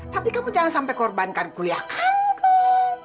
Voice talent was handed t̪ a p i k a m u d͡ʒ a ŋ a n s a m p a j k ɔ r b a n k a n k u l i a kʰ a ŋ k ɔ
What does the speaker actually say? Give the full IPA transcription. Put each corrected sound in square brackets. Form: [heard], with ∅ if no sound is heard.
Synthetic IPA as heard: t̪ a p i k a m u d͡ʒ a ŋ a n s a m p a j k ɔ r b a n k a n k u l i a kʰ a [n] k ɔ

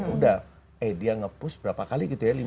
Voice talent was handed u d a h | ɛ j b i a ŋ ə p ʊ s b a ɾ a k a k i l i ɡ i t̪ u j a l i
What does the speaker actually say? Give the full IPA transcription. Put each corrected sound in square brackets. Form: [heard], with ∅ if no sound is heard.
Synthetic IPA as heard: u d a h | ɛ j [d] i a ŋ ə p ʊ s b [ə] ɾ a [p] a k [a] l i ɡ i t̪ u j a l i

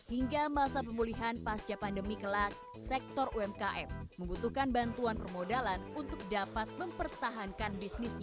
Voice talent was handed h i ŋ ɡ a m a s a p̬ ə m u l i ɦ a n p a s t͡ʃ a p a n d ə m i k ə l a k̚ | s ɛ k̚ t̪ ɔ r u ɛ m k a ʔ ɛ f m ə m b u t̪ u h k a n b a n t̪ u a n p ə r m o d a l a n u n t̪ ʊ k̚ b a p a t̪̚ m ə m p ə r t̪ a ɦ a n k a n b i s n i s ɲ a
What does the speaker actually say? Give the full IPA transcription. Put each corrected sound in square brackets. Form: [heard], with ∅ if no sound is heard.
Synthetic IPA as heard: h i ŋ ɡ a m a s a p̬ ə m u l i ɦ a n p a s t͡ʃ a p a n d ə m i k ə l a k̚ | s ɛ k̚ t̪ ɔ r u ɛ m k a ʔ ɛ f m ə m b u t̪ u h k a n b a n t̪ u a n p ə r m o d a l a n u n t̪ ʊ k̚ [d] a p a t̪̚ m ə m p ə r t̪ a ɦ a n k a n b i s n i s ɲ a

